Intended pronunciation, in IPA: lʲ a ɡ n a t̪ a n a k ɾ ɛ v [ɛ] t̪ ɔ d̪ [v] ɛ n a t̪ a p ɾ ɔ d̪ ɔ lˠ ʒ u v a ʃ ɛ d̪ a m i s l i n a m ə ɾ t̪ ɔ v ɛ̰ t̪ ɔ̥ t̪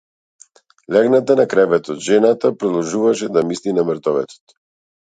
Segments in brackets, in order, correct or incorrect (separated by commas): correct, incorrect